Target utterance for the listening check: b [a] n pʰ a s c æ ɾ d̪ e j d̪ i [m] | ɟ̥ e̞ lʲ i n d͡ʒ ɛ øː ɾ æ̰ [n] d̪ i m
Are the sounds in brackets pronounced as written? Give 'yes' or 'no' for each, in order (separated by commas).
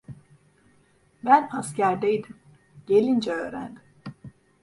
no, yes, yes